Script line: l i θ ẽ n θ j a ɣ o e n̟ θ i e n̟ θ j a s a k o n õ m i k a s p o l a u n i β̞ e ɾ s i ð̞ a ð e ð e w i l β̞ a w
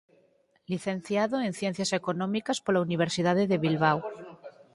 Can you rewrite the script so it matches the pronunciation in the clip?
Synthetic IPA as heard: l i θ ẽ n θ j a ð o e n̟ θ j e n̟ θ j a s e k o n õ m i k a s p o l a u n i β̞ e ɾ s i ð̞ a ð e ð e β i l β̞ a w